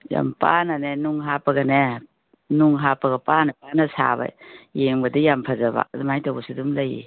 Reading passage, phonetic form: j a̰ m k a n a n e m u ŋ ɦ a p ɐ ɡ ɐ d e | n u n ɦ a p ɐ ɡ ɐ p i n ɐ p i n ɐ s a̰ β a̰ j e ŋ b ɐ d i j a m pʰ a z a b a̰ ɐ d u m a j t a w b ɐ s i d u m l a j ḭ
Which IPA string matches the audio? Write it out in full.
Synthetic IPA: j a̰ m p a n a n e n u ŋ ɦ a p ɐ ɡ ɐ n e | n u ŋ ɦ a p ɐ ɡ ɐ p a n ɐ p a n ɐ s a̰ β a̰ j e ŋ b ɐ d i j a m pʰ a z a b a̰ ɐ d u m a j t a w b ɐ s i d u m l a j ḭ